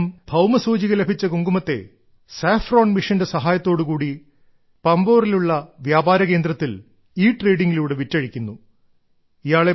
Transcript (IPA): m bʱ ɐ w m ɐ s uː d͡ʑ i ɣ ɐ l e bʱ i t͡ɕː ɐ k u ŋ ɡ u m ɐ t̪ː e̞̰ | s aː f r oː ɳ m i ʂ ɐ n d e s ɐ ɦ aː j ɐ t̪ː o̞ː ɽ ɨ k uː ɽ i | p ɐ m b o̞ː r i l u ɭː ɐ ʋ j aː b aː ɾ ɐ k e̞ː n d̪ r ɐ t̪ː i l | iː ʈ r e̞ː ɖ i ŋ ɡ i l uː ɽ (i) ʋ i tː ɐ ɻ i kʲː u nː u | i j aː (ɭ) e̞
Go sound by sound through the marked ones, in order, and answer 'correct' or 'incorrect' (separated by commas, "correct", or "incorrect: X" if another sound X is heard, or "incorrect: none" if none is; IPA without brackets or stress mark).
incorrect: e, correct